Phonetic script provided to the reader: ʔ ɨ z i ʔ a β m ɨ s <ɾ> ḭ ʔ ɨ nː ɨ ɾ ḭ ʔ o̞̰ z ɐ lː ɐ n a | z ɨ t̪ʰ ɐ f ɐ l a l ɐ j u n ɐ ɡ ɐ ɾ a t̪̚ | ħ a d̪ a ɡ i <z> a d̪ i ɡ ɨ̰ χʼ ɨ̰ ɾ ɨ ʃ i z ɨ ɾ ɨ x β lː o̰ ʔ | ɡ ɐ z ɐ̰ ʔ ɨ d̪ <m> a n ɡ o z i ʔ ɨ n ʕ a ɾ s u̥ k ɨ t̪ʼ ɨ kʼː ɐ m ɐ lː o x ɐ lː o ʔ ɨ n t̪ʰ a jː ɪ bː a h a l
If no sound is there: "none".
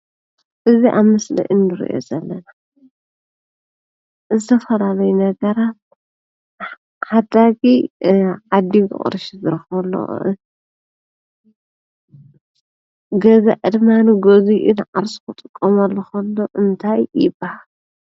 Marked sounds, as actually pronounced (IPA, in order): l, ʕ, m

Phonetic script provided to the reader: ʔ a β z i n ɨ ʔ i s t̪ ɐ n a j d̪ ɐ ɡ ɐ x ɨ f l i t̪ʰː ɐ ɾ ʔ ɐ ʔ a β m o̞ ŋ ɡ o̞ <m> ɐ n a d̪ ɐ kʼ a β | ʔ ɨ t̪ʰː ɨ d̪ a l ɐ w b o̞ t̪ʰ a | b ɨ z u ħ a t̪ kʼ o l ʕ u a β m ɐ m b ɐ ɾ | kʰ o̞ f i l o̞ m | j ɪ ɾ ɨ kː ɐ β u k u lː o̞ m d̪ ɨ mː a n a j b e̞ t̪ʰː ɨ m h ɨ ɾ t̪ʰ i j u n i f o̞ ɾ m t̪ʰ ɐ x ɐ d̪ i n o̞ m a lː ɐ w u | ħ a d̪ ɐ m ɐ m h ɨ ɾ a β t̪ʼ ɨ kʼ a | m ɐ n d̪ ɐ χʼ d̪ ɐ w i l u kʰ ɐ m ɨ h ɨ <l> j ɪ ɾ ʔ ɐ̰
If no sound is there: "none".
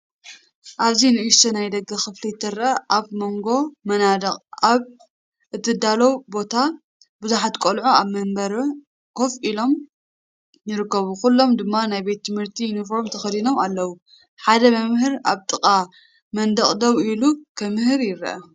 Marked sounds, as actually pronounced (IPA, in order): m, ɾ

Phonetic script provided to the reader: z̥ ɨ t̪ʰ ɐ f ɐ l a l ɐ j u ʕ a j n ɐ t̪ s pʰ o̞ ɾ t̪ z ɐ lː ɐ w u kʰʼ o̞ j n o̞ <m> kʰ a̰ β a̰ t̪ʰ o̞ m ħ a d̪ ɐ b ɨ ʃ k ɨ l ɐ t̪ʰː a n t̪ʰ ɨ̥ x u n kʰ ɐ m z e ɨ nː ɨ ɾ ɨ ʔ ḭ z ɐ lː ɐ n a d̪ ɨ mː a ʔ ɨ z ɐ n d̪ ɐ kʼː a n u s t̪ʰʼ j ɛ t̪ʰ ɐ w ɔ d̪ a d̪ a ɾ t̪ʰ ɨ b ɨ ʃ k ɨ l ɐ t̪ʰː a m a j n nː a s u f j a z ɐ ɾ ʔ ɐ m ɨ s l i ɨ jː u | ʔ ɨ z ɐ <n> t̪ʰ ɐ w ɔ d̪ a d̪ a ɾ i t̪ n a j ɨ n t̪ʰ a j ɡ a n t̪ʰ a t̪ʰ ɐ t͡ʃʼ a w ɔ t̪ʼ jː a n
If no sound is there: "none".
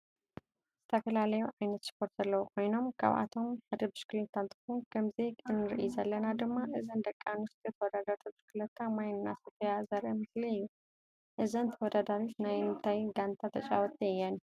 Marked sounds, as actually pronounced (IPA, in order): m, n

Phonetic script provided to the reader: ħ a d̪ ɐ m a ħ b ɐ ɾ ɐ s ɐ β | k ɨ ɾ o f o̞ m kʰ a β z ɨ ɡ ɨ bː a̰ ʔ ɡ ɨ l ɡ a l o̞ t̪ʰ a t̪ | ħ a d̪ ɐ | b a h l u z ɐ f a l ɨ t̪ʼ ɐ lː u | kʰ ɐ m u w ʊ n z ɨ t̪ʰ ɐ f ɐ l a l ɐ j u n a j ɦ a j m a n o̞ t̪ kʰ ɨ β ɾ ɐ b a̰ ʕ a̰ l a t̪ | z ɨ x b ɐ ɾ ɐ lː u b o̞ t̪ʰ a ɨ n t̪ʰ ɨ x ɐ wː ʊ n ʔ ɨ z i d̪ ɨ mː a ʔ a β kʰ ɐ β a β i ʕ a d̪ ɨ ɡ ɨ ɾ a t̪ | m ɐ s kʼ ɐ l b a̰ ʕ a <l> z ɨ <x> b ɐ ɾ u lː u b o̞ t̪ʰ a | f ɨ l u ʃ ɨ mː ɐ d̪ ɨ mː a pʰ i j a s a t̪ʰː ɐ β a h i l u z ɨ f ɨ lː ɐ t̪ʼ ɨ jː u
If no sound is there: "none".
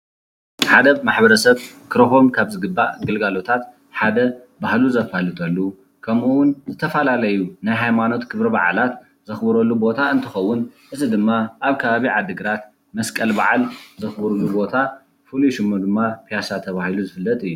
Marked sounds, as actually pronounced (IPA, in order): l, x

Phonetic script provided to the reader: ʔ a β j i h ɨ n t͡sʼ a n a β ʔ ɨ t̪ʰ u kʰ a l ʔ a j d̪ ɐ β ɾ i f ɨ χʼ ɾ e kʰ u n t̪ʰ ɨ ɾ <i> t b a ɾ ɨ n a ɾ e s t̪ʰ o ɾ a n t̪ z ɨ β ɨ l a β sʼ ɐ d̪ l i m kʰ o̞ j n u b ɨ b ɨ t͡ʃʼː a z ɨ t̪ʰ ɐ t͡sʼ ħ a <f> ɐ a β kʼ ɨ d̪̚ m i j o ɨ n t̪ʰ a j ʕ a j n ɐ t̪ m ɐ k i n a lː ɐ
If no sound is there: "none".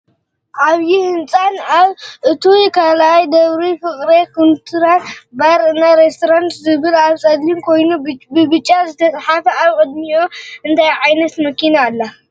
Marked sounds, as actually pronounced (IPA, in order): a, f

